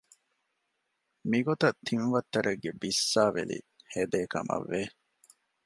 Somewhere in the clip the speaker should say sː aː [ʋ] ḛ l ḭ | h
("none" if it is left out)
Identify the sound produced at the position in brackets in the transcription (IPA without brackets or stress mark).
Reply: ʋ